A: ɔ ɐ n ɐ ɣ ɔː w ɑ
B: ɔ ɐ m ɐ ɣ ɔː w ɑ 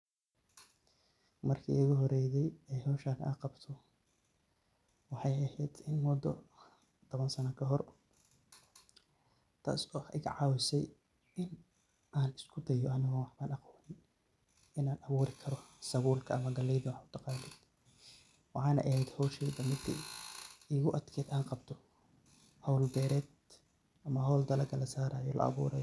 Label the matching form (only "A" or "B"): A